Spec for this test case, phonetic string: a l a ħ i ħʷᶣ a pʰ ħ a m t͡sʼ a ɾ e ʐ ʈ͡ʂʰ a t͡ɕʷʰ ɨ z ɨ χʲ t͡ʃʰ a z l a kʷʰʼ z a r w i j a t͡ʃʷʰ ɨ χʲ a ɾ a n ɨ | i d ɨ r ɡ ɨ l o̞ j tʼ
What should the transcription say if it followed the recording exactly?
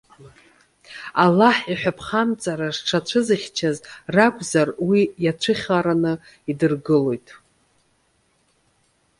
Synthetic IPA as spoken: a l a ħ i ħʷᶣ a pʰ χ a m t͡sʼ a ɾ a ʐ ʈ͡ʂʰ a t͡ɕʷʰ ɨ z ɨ χʲ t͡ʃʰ a z r a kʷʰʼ z a r w i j a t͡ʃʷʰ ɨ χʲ a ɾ a n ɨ | i d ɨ r ɡ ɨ l o̞ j tʼ